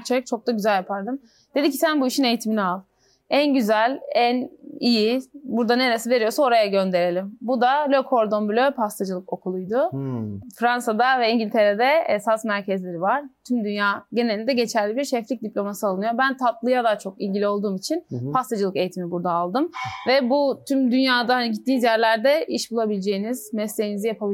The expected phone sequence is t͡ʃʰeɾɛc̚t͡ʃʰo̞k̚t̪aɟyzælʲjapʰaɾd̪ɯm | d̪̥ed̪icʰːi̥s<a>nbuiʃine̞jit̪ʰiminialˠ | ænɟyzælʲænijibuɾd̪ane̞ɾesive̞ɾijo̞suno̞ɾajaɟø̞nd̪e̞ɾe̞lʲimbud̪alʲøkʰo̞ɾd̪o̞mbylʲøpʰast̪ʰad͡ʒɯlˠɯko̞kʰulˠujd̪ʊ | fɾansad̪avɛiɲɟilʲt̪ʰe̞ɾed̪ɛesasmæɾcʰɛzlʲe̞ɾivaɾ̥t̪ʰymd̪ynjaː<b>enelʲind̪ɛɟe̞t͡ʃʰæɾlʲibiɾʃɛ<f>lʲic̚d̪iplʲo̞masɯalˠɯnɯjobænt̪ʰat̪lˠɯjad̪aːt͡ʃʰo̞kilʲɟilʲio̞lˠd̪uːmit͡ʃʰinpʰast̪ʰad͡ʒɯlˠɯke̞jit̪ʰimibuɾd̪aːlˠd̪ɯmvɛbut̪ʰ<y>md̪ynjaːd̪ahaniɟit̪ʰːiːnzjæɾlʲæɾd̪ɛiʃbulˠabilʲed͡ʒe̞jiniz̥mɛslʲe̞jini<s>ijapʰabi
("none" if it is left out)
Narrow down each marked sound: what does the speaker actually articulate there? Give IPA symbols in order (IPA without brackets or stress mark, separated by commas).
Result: æ, ɟ, f, y, z